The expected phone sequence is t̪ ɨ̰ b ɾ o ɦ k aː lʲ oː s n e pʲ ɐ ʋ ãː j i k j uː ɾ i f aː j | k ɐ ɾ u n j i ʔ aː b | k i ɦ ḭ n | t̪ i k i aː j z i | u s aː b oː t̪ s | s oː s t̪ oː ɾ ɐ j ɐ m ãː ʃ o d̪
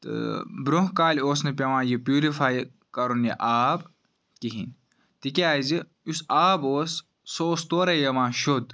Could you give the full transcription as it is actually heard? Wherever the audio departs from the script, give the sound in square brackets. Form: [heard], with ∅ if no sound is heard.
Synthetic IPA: t̪ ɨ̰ b ɾ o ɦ k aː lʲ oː s n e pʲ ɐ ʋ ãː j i [p] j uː ɾ i f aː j | k ɐ ɾ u n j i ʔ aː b | k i ɦ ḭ n | t̪ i k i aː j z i | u s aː b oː [∅] s | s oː s t̪ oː ɾ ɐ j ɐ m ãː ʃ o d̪